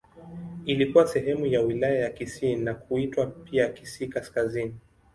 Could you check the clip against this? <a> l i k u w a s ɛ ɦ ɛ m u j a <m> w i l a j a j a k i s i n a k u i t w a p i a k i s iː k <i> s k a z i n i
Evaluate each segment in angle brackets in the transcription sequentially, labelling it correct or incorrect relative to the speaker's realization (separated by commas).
incorrect, incorrect, incorrect